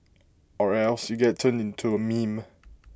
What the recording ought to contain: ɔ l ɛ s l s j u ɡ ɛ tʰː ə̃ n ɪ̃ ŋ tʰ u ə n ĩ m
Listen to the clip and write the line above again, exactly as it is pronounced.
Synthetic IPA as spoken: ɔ ɹ ɛ l s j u ɡ ɛ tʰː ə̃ n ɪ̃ n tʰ u ə m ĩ m